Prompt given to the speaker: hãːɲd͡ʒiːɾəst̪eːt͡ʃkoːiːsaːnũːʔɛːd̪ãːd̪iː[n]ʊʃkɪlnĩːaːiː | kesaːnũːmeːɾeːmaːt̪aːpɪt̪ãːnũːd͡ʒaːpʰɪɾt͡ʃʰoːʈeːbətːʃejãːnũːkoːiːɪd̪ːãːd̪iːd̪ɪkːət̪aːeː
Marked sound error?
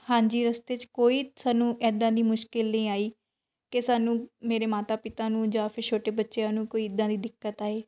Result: yes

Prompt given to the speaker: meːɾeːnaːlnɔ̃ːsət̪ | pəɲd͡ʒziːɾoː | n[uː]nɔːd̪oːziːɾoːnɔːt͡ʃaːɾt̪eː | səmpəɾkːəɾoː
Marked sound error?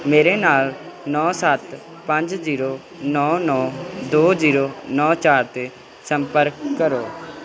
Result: yes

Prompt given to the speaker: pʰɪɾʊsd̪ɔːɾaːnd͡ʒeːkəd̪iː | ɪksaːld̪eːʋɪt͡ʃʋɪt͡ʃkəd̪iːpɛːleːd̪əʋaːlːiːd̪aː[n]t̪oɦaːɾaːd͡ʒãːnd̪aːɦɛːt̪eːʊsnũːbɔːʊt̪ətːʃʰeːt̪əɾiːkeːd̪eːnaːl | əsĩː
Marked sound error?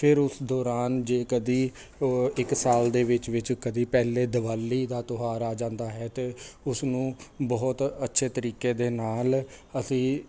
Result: yes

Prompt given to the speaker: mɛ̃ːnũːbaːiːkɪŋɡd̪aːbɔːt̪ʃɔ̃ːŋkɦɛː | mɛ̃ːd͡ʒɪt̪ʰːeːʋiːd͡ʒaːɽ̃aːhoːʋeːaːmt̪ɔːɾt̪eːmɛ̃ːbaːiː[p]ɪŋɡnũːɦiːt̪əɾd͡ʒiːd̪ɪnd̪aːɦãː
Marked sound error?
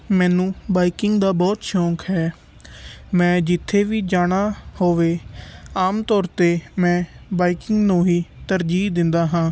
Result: yes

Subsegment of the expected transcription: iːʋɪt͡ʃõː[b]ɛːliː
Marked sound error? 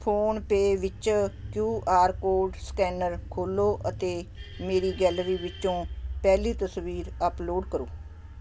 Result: yes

